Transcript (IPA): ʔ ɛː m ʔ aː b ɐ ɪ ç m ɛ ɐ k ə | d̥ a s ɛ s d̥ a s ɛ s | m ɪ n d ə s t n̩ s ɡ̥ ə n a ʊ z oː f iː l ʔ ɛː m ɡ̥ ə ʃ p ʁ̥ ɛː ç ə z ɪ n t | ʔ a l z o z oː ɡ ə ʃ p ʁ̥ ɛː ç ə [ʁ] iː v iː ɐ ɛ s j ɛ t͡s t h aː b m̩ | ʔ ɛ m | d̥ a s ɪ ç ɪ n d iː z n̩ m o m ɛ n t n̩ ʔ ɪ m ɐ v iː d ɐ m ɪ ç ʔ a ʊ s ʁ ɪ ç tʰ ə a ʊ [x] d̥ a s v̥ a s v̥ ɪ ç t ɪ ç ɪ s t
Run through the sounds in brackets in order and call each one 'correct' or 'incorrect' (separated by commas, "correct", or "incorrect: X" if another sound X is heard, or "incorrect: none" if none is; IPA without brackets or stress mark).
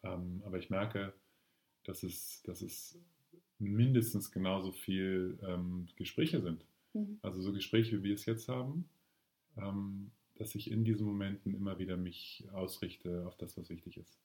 incorrect: v, incorrect: f